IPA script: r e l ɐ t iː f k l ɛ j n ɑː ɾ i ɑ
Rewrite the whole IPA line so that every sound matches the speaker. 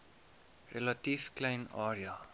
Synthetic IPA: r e l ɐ t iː f k l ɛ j n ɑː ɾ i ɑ